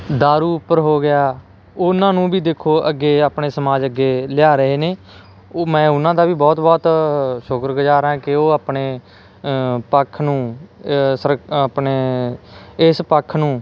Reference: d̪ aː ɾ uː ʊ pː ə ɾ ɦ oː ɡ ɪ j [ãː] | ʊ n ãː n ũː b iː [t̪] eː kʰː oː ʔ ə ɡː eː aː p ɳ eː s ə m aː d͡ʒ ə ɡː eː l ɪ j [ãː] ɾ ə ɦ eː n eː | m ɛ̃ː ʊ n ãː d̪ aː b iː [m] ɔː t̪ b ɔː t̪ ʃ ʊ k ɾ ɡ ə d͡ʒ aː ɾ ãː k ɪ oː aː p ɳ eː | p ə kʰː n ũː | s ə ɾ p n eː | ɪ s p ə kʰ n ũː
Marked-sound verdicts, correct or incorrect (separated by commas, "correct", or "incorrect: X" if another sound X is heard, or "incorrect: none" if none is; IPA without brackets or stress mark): incorrect: aː, incorrect: d̪, incorrect: aː, incorrect: b